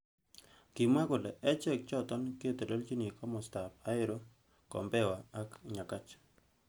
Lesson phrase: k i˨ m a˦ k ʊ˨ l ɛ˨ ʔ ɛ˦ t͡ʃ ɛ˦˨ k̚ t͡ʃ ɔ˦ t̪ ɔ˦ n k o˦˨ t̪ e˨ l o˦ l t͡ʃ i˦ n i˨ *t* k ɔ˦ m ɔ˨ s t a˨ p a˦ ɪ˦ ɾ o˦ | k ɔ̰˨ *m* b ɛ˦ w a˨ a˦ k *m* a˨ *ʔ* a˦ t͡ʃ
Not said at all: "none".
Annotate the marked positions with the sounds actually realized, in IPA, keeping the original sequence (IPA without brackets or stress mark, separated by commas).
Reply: none, m, ɲ, k